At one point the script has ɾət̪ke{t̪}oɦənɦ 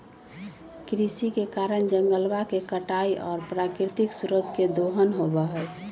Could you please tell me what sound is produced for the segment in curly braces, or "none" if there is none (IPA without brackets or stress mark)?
d̪